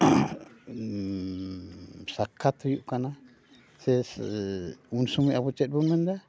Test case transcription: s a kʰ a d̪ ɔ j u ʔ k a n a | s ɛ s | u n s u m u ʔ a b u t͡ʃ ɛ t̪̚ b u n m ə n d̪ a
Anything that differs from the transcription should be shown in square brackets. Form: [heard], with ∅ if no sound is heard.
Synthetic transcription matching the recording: s a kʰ a [t̪] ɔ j u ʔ k a n a | s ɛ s | u n s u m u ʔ a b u t͡ʃ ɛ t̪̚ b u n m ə n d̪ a